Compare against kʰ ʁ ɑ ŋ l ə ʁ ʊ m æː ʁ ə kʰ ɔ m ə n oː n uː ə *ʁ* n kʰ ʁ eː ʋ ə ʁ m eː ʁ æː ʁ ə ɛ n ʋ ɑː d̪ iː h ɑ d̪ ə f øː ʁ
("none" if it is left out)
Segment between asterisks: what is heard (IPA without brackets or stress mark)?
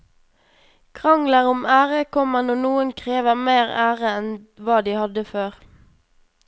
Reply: none